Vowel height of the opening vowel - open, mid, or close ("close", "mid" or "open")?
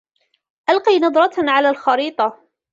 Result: open